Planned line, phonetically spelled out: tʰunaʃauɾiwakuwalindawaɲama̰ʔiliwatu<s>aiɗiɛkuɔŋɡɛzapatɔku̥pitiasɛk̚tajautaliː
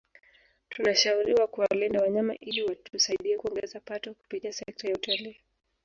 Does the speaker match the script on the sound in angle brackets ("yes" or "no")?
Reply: yes